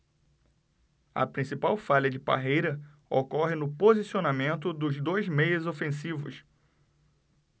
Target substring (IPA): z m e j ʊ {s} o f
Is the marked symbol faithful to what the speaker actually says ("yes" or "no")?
no